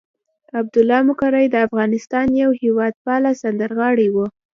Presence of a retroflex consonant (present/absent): present